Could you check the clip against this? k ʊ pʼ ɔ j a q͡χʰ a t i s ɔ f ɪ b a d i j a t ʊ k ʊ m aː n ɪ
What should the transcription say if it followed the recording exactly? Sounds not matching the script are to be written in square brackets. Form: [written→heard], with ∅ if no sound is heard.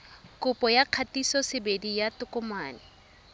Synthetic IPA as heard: k ʊ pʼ ɔ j a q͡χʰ a t i s ɔ [f→s] ɪ b [a→e] d i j a t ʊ k ʊ m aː n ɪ